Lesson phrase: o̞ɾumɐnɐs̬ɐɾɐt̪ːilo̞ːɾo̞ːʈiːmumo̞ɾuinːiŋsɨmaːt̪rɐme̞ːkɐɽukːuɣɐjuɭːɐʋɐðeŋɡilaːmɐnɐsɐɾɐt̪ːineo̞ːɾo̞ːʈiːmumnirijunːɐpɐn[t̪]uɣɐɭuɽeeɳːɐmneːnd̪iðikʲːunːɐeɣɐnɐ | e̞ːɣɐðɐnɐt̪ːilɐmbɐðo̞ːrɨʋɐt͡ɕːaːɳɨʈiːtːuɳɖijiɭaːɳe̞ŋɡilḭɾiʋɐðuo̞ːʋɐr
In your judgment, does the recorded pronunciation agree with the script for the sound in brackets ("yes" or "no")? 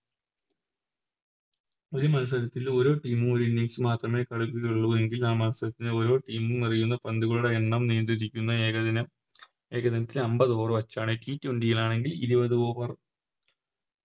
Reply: no